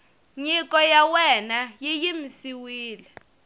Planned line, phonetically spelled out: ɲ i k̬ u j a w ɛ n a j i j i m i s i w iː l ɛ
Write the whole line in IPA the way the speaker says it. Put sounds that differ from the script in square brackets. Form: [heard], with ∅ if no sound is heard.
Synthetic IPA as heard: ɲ i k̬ [ɔ] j a w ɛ n a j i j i m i s i w iː l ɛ